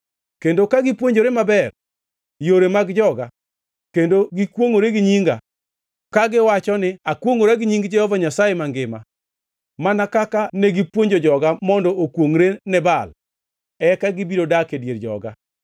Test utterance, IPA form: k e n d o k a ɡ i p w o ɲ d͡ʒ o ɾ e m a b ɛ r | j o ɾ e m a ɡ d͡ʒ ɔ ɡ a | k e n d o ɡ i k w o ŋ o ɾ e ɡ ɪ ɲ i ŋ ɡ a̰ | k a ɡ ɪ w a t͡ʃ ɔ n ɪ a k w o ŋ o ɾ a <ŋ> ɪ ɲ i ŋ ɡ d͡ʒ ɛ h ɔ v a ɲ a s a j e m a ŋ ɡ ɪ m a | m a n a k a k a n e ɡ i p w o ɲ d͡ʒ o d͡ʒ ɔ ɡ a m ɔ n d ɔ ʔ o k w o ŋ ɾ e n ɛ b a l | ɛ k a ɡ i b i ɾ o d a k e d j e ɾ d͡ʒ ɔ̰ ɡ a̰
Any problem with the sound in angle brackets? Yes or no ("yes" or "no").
yes